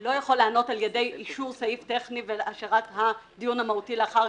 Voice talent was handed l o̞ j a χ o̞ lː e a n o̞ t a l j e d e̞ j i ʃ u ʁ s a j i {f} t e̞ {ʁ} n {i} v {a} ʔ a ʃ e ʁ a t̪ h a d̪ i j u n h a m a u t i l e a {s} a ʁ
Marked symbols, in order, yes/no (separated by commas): yes, no, yes, no, no